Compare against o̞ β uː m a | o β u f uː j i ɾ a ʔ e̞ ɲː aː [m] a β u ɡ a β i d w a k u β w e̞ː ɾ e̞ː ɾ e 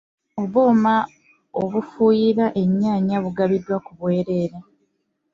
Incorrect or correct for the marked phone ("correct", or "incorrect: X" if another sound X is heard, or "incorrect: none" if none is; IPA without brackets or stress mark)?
incorrect: ɲ